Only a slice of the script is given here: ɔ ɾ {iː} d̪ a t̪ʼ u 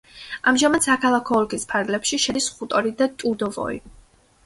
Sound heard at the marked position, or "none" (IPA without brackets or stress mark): i